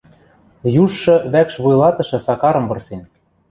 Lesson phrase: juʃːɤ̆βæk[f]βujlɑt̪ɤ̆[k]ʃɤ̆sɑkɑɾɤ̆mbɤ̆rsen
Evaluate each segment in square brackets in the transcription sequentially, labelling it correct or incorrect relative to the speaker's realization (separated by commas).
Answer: incorrect, incorrect